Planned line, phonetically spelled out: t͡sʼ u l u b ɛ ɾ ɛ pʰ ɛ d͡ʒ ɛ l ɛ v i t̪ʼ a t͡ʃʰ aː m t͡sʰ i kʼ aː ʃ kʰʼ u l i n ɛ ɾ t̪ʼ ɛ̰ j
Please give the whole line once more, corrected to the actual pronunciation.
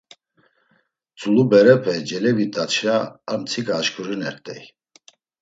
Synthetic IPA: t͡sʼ u l u b ɛ ɾ ɛ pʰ ɛ d͡ʒ ɛ l ɛ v i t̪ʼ a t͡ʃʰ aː m t͡sʰ i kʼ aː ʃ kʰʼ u ɾ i n ɛ ɾ t̪ʼ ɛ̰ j